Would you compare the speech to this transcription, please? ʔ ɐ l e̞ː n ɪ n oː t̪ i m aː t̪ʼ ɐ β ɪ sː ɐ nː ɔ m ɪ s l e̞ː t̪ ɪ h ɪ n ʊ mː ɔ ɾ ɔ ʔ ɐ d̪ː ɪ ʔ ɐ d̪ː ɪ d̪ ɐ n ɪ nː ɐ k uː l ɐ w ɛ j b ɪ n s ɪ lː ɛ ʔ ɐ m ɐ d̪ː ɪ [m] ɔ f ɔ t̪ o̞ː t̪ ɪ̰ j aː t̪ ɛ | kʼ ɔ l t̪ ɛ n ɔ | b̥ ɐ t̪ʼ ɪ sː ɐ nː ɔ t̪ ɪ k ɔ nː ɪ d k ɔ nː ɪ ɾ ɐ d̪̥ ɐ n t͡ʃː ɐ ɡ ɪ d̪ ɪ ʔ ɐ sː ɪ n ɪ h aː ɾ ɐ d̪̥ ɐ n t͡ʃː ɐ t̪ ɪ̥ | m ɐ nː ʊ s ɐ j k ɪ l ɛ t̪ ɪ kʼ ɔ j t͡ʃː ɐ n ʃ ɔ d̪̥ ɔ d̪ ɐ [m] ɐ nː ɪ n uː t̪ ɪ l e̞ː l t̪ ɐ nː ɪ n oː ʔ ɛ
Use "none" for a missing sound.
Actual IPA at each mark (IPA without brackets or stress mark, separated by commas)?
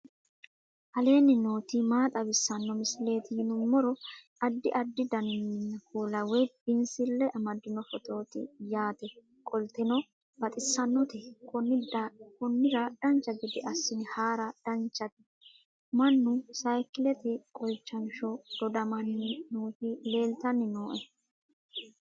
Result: n, m